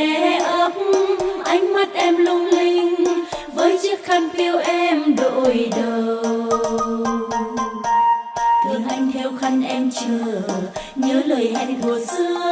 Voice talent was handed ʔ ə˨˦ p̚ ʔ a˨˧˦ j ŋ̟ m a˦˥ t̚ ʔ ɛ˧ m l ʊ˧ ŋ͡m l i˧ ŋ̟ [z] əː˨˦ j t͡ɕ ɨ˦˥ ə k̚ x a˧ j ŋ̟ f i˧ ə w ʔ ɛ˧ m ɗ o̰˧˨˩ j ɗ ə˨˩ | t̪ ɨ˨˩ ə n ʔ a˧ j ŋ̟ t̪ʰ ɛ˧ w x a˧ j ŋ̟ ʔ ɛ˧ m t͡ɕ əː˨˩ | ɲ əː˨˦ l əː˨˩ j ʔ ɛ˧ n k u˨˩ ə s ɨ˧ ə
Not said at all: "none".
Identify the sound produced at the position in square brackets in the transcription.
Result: v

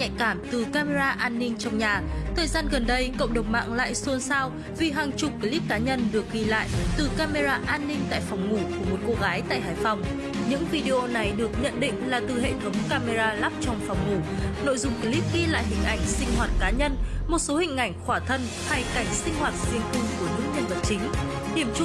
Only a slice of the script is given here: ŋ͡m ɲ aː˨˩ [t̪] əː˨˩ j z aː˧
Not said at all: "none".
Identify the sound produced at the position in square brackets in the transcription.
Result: t̪ʰ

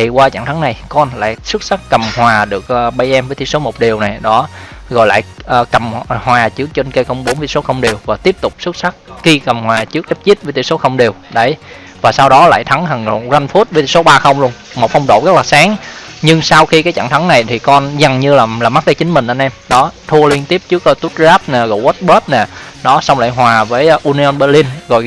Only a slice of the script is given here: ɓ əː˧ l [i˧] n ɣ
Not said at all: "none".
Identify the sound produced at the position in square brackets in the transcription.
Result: i˧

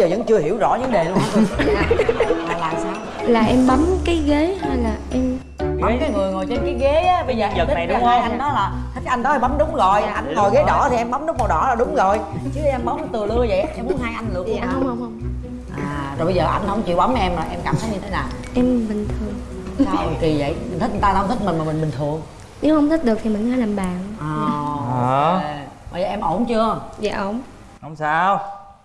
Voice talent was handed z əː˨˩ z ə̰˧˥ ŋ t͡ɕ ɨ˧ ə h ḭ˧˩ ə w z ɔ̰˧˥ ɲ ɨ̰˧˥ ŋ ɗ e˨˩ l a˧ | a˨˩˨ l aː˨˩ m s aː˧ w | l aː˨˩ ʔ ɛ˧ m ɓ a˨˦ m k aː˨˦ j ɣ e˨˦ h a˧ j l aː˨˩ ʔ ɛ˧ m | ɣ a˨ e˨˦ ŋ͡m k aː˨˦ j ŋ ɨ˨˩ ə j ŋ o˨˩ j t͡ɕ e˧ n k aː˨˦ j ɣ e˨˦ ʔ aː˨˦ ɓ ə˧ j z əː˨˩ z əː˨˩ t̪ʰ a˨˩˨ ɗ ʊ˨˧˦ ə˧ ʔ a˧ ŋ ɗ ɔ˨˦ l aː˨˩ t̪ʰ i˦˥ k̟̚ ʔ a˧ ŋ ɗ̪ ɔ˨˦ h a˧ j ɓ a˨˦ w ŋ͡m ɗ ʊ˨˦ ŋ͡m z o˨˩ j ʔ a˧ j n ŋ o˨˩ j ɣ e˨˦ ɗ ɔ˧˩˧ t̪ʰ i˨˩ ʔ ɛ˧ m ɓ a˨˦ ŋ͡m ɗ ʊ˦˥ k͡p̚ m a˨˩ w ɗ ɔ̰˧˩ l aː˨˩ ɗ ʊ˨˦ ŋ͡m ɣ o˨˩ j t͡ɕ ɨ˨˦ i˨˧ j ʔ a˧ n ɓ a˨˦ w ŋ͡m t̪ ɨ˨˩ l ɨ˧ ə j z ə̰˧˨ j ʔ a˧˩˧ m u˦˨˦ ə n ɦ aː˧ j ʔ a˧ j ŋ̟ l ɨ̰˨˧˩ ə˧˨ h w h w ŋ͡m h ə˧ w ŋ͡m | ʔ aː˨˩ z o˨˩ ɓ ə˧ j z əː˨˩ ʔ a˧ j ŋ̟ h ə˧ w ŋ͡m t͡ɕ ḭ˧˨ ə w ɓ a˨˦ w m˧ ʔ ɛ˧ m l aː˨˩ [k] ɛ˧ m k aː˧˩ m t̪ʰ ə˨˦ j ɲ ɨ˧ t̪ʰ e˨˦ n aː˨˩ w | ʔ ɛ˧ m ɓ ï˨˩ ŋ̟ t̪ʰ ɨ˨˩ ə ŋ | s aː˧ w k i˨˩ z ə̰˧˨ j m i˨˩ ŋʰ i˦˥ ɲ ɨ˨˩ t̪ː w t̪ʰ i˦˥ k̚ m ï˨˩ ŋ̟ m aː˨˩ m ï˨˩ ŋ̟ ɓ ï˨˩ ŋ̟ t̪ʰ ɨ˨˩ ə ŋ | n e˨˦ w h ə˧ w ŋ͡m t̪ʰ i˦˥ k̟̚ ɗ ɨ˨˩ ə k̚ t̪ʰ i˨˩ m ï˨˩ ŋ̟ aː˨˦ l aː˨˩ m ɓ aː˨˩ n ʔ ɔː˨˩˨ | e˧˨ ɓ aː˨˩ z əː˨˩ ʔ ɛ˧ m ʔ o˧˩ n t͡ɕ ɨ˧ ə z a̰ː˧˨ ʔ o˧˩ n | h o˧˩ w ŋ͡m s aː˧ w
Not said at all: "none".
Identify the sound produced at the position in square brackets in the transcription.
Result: ʔ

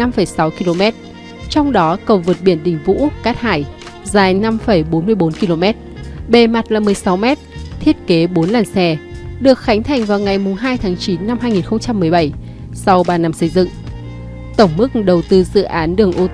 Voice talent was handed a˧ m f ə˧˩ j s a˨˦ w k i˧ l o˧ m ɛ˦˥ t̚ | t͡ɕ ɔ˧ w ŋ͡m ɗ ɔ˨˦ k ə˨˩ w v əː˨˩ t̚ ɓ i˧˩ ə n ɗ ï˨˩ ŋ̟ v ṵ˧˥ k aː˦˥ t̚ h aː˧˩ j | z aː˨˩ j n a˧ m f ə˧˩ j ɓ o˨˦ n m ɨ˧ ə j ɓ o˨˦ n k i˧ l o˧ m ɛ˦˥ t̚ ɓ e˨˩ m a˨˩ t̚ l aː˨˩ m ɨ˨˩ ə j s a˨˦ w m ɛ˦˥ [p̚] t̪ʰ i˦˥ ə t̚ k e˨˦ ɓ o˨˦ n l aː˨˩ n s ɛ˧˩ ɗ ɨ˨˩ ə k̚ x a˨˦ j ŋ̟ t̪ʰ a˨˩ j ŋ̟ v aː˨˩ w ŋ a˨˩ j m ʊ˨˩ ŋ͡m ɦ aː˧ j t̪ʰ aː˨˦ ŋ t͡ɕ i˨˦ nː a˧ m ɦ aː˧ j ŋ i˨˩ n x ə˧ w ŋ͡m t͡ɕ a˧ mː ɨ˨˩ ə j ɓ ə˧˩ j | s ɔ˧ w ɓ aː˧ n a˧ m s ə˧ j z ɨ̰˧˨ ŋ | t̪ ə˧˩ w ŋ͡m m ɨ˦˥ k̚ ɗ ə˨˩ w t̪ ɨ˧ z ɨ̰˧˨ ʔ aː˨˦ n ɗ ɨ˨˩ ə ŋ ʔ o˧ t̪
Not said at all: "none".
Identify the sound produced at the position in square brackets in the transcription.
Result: t̚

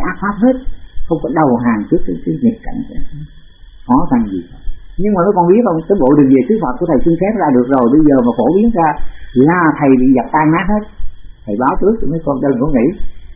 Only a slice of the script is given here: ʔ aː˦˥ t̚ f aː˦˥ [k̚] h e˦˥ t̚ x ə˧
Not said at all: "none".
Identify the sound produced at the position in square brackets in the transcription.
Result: p̚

